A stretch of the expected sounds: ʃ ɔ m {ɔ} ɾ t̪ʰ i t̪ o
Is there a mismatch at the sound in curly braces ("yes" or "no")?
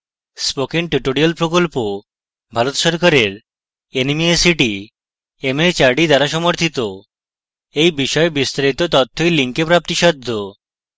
yes